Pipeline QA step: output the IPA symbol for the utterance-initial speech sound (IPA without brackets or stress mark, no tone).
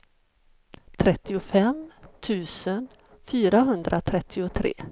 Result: t̪ʰ